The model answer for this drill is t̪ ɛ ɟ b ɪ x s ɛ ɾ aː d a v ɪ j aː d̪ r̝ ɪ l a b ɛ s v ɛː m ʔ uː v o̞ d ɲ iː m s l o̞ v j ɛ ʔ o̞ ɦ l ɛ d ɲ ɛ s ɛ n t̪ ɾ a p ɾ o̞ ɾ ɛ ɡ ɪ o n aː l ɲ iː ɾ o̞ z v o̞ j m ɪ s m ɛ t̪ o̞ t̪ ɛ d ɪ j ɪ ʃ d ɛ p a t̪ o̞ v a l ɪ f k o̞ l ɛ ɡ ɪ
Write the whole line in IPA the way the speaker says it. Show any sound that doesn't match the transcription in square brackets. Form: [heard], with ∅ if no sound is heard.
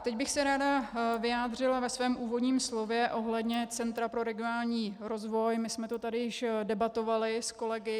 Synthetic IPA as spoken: t̪ ɛ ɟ b ɪ x s ɛ ɾ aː d a v ɪ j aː d̪ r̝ ɪ l a [v] ɛ s v ɛː m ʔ uː v o̞ d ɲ iː m s l o̞ v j ɛ ʔ o̞ ɦ l ɛ d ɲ ɛ [t͡s] ɛ n t̪ ɾ a p ɾ o̞ ɾ ɛ ɡ ɪ o n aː l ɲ iː ɾ o̞ z v o̞ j m ɪ s m ɛ t̪ o̞ t̪ [a] d ɪ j ɪ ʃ d ɛ [b] a t̪ o̞ v a l ɪ [s] k o̞ l ɛ ɡ ɪ